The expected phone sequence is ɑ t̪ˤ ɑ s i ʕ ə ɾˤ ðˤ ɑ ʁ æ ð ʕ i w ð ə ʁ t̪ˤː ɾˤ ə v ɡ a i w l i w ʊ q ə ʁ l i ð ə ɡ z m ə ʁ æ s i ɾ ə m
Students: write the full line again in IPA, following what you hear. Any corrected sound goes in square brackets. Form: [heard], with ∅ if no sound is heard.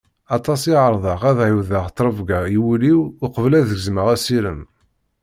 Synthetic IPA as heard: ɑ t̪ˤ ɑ s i ʕ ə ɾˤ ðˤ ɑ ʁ æ ð ʕ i w ð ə ʁ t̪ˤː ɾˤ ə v ɡ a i w l i w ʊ q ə [v] l [æ] ð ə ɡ z m ə ʁ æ s i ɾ ə m